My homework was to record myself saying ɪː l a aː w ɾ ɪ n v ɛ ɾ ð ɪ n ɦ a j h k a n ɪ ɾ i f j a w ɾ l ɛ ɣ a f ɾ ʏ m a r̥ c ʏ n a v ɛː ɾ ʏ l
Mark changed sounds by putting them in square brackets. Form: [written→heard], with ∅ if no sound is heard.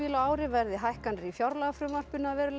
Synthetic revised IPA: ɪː l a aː w ɾ ɪ [n→∅] v ɛ ɾ ð ɪ [n→∅] ɦ a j h k a n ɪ ɾ i f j a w ɾ l [ɛ→a] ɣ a f ɾ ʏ m a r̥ [c→p] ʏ n a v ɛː ɾ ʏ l